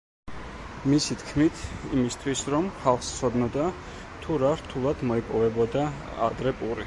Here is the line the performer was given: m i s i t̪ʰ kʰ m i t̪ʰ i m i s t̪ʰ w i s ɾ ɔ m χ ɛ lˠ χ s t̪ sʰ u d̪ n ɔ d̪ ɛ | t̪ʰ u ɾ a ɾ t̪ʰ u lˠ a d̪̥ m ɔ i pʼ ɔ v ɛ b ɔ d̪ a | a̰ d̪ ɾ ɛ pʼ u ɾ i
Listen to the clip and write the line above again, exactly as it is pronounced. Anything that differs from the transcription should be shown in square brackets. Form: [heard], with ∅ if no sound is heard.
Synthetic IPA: m i s i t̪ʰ kʰ m i t̪ʰ i m i s t̪ʰ w i s ɾ ɔ m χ [a] lˠ χ s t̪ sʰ [ɔ] d̪ n ɔ d̪ [a] | t̪ʰ u ɾ a ɾ t̪ʰ u lˠ a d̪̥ m ɔ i pʼ ɔ v ɛ b ɔ d̪ a | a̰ d̪ ɾ ɛ pʼ u ɾ i